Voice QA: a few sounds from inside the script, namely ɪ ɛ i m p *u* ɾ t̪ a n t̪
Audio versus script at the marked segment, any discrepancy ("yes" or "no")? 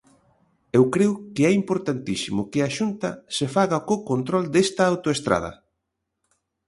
yes